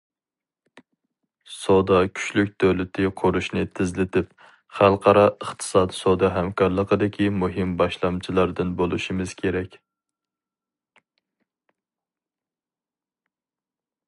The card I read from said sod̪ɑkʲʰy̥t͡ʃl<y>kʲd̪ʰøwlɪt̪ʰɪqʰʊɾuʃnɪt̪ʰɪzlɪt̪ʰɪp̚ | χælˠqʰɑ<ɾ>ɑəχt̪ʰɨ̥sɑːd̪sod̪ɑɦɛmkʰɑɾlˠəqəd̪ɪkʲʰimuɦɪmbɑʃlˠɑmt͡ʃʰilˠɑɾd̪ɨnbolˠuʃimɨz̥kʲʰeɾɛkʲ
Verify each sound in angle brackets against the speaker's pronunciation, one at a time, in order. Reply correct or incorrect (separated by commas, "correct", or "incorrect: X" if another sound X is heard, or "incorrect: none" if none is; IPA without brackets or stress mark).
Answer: correct, correct